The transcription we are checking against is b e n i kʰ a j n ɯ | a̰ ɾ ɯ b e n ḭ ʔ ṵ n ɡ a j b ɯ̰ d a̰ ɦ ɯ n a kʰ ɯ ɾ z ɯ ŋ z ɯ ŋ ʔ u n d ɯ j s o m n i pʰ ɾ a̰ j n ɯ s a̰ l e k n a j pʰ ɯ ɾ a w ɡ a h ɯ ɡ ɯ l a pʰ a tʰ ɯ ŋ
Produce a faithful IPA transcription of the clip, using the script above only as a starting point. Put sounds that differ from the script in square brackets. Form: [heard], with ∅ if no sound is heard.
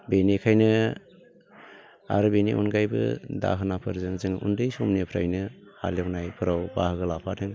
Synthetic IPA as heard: b e n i kʰ a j n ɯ | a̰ ɾ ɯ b e n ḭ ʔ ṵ n ɡ a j b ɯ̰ d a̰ ɦ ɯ n a [pʰ] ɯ ɾ z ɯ ŋ z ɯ ŋ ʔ u n d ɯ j s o m n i pʰ ɾ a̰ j n ɯ [h] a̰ l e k n a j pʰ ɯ ɾ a w [b] a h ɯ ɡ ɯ l a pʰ a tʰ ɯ ŋ

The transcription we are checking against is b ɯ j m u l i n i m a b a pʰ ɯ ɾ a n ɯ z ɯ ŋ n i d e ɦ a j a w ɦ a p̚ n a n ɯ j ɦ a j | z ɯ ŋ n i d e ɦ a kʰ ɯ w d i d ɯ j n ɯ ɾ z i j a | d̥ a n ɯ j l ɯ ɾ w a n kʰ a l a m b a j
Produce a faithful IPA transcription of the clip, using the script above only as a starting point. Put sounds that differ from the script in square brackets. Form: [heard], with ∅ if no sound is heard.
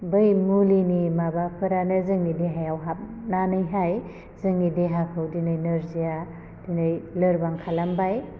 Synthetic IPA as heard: b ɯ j m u l i n i m a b a pʰ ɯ ɾ a n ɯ z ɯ ŋ n i d e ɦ a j a w ɦ a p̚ n a n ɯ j ɦ a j | z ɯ ŋ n i d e ɦ a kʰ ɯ w d i [n] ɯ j n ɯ ɾ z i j a | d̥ [i] n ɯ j l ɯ ɾ [b] a [ŋ] kʰ a l a m b a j

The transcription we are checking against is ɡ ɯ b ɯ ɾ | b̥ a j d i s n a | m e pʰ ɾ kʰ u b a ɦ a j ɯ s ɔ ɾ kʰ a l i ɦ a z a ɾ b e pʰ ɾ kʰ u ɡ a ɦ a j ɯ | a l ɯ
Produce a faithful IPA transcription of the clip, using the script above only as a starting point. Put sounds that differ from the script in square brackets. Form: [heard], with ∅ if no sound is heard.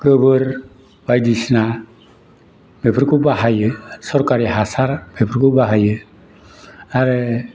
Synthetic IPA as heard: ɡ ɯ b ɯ ɾ | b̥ a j d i s n a | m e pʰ ɾ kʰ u b a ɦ a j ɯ s ɔ ɾ [k] a [ɾ] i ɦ a [s] a ɾ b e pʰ ɾ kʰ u [b] a ɦ a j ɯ | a [ɾ] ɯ

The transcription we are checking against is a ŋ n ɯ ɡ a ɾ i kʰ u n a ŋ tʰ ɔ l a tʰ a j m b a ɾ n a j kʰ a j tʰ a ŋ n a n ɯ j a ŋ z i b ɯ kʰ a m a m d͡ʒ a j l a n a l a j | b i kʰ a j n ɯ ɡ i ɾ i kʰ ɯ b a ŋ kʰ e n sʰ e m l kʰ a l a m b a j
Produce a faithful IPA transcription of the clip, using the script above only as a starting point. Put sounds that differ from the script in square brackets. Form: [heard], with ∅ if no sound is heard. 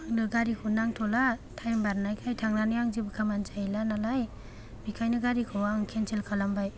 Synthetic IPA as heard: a ŋ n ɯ ɡ a ɾ i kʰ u n a ŋ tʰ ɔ l a tʰ a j m b a ɾ n a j kʰ a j tʰ a ŋ n a n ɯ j a ŋ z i b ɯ kʰ a m a [n] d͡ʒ a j l a n a l a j | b i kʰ a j n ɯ ɡ [a] ɾ i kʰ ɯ [w] a ŋ kʰ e n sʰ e [∅] l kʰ a l a m b a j

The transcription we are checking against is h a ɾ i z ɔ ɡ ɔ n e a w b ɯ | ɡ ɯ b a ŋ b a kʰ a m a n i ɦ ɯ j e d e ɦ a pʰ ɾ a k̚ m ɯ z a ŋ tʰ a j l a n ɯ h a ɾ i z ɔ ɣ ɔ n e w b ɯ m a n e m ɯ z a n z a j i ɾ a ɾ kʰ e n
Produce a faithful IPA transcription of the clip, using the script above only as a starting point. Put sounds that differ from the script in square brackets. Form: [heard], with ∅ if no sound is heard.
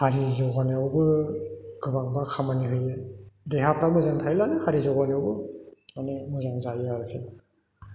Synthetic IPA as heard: h a ɾ i z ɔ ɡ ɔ n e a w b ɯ | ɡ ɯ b a ŋ b a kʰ a m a n i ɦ ɯ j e d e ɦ a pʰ ɾ a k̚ m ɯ z a ŋ tʰ a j l a n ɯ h a ɾ i z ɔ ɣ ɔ n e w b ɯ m a n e m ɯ z a [ŋ] z a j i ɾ a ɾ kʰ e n

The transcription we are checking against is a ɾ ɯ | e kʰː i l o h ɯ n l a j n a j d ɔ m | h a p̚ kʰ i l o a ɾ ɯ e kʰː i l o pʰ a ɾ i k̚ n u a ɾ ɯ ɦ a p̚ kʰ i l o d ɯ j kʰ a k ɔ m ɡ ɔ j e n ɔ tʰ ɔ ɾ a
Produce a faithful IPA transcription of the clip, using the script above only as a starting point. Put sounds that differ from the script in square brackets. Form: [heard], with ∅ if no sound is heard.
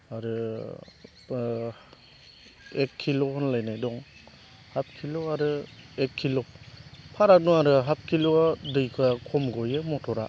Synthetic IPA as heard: a ɾ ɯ | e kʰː i l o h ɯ n l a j n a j d ɔ [ŋ] | h a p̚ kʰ i l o a ɾ ɯ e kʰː i l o pʰ a ɾ [a] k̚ n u a ɾ ɯ ɦ a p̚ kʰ i l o d ɯ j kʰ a [kʰ] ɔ m ɡ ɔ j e [m] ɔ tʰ ɔ ɾ a

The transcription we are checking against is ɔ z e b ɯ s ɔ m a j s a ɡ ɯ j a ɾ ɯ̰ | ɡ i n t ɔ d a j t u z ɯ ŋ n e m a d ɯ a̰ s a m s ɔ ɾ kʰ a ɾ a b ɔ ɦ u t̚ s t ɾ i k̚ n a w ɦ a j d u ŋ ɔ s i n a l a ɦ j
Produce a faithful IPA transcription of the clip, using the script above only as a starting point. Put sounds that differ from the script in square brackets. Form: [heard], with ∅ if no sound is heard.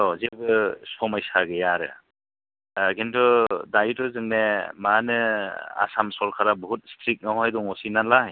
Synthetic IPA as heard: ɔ z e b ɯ s ɔ m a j s a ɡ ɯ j a ɾ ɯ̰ | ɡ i n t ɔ d a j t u z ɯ ŋ n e m a [n] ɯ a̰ s a m s ɔ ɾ kʰ a ɾ a b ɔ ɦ u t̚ s t ɾ i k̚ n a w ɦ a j d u ŋ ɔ s i n a l a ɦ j

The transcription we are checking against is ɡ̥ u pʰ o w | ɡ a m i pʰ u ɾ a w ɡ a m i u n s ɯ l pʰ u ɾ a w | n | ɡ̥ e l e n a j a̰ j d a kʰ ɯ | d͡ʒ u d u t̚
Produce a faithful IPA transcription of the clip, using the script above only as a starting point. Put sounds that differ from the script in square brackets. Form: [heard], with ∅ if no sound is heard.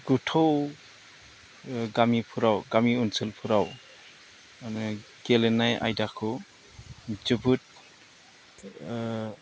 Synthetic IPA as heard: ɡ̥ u [tʰ] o w | ɡ a m i pʰ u ɾ a w ɡ a m i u n s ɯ l pʰ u ɾ a w | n | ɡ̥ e l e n a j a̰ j d a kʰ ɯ | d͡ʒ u [b] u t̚

